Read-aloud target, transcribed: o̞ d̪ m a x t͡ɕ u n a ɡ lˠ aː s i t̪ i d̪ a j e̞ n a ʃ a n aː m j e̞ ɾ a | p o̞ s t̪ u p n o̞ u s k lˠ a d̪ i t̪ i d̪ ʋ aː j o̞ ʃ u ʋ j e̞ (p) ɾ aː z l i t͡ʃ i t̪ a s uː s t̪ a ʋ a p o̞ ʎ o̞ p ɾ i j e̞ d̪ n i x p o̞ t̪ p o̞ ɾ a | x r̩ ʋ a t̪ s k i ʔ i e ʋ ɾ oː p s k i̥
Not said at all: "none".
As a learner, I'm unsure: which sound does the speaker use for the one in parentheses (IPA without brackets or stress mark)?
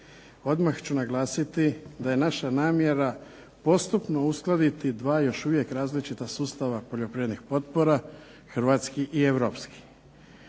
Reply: k